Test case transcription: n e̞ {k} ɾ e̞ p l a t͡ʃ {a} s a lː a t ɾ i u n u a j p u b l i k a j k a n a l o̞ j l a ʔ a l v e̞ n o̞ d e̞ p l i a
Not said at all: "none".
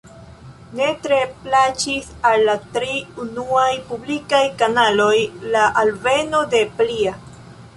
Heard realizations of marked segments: t, i

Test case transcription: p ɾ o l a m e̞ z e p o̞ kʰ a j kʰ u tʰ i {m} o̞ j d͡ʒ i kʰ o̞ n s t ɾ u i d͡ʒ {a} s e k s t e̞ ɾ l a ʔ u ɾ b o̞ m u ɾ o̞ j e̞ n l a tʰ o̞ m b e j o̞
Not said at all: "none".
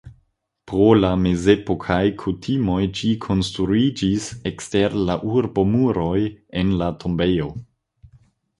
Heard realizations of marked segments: m, i

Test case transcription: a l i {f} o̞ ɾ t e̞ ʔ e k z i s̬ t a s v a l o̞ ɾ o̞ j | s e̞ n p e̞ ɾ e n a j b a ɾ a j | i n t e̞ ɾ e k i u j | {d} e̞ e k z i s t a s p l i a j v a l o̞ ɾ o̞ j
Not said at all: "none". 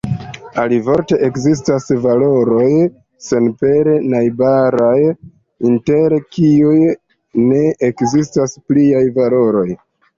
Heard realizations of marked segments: v, n

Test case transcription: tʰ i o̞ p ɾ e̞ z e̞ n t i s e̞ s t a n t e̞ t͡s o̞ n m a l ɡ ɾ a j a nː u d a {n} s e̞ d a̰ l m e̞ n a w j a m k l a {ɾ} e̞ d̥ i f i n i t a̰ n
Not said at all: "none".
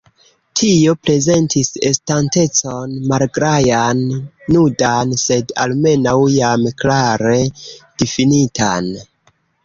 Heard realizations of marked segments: n, ɾ

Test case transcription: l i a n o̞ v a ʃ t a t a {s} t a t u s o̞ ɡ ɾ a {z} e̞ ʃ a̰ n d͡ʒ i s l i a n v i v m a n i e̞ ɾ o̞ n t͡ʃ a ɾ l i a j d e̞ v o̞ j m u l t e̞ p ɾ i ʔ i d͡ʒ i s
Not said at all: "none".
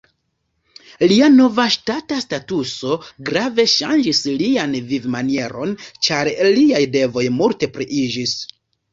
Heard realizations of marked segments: s, v

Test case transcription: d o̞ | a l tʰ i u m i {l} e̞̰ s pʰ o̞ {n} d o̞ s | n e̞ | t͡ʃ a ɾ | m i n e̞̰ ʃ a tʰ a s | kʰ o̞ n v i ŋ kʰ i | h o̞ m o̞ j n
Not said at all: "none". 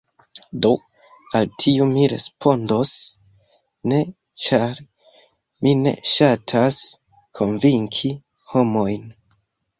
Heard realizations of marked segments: ɾ, n

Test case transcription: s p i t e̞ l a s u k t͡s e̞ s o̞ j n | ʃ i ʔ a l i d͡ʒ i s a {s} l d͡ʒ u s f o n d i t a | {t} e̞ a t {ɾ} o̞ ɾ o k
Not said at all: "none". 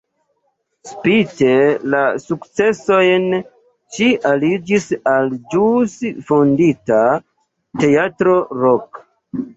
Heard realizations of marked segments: none, t, ɾ

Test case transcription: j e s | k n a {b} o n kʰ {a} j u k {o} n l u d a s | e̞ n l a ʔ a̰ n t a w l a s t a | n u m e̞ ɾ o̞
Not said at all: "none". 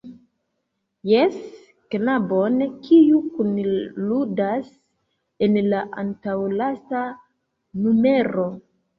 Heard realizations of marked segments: b, i, u

